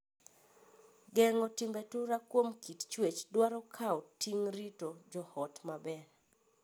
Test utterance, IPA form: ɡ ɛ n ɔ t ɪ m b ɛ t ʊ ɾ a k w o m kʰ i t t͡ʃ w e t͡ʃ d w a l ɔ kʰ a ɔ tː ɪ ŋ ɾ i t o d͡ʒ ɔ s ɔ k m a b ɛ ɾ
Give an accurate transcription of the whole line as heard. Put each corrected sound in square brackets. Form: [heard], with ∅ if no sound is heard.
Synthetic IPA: ɡ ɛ [ŋ] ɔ t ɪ m b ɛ t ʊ ɾ a k w o m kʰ i t t͡ʃ w e t͡ʃ d w a [ɾ] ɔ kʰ a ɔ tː [i] ŋ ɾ i t o d͡ʒ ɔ [h] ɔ [t] m a b ɛ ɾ